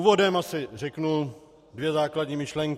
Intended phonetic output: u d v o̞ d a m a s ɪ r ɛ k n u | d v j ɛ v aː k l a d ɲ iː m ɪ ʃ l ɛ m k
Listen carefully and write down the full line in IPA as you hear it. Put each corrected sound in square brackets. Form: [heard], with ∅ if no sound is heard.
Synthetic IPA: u [∅] v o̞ d [ɛ] m a s ɪ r ɛ k n u | d v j ɛ [z] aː k l a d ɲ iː m ɪ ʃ l ɛ [ŋ] k